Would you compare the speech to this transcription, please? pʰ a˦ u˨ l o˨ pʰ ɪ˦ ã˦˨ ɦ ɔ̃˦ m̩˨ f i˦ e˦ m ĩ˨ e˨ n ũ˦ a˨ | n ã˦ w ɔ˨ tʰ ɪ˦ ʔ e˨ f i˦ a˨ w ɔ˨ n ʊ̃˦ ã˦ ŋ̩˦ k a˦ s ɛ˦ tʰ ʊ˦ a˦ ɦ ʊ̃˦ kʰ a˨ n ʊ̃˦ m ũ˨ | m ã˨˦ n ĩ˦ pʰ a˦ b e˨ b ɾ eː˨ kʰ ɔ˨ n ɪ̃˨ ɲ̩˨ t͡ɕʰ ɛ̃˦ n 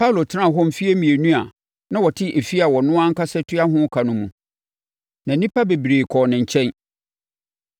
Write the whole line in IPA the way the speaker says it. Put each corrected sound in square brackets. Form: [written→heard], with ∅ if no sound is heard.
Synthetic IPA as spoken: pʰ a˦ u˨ l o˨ [pʰ→tʰ] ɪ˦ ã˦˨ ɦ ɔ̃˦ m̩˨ f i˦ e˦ m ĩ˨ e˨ n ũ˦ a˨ | n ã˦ w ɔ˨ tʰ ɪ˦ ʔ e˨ f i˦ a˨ w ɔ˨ n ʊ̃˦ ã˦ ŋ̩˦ k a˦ s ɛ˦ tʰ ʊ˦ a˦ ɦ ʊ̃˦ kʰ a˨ n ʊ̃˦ m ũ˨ | [m→n] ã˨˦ n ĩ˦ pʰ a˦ b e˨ b ɾ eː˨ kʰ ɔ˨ n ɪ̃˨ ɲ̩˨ t͡ɕʰ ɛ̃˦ n